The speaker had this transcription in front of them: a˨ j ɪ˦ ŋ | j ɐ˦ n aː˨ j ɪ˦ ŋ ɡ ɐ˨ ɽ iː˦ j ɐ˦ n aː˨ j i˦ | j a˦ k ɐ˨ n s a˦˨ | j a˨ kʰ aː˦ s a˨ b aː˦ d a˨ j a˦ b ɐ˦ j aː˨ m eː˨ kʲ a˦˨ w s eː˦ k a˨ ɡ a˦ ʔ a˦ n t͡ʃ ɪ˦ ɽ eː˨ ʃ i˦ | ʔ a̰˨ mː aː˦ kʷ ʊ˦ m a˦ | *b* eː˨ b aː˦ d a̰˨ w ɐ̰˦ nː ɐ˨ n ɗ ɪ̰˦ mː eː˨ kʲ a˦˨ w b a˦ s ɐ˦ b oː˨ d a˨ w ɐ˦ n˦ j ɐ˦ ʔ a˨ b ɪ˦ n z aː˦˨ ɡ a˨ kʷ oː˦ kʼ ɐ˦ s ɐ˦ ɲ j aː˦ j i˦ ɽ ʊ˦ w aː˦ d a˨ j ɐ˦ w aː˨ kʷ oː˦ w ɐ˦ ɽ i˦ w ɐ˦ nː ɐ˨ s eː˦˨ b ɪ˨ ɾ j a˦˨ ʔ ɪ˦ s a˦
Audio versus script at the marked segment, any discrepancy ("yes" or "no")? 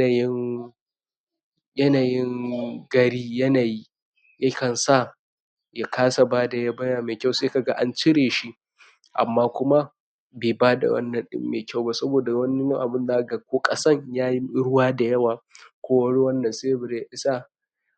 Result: no